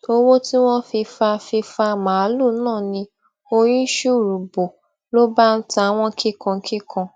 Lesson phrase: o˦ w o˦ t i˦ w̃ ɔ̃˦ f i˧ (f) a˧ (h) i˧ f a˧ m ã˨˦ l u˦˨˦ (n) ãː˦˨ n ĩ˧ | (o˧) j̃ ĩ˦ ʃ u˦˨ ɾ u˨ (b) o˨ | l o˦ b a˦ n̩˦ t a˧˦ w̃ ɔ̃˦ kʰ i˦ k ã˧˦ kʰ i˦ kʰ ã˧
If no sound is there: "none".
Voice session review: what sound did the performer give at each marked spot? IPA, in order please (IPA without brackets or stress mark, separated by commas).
f, f, n, o˧, b